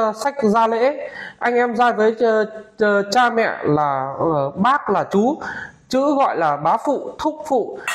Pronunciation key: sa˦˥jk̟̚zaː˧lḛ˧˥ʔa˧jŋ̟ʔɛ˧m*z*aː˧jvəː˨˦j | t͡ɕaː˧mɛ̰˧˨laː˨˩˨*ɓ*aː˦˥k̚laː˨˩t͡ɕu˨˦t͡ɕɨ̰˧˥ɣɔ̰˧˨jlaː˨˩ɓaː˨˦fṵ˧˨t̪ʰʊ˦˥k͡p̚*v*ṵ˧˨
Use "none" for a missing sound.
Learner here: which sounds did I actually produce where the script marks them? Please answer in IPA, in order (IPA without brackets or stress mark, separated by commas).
z, ɓ, f